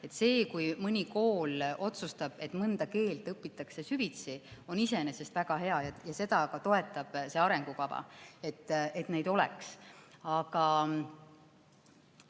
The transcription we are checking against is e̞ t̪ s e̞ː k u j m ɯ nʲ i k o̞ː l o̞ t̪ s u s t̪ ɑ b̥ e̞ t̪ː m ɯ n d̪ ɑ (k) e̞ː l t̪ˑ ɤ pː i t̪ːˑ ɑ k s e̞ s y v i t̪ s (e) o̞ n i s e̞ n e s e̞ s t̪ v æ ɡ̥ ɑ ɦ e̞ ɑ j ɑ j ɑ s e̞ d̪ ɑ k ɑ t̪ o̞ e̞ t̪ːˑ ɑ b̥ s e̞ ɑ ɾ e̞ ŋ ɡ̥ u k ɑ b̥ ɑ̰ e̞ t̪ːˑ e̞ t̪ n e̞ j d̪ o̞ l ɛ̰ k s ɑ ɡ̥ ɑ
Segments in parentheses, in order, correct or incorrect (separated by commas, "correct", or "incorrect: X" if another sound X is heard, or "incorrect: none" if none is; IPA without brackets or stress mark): correct, incorrect: i